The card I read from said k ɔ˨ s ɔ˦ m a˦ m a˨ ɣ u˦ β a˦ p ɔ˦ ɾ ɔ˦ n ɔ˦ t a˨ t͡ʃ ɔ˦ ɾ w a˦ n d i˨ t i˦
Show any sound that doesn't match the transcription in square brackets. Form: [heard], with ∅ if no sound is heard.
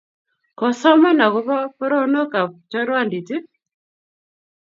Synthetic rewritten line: k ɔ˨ s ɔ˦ m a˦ [n] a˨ ɣ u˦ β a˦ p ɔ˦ ɾ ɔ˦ n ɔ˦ [k] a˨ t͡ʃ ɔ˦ ɾ w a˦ n d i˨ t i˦